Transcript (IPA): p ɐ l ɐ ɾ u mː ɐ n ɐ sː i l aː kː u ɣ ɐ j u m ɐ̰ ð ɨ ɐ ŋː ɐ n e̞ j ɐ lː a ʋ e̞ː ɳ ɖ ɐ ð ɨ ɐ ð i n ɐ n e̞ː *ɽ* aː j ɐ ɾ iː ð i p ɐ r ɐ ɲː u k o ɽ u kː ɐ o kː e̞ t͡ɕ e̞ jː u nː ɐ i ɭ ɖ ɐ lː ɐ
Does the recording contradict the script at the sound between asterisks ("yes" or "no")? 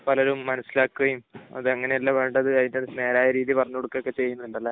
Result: yes